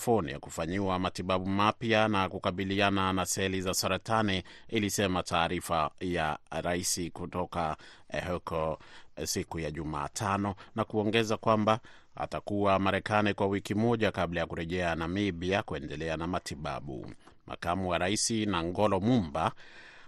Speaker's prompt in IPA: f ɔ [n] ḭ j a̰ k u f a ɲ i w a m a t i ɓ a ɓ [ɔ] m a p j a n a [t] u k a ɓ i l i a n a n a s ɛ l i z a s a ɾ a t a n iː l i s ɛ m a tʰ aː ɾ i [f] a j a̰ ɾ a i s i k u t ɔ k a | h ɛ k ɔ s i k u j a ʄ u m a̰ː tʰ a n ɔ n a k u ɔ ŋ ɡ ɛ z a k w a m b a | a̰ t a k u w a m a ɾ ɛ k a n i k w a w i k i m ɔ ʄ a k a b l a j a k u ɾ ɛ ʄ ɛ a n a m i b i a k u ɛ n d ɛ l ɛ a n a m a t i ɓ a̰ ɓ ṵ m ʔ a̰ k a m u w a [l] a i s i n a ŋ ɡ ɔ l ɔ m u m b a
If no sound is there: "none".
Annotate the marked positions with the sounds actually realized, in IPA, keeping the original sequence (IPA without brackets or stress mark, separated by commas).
n, u, k, f, ɾ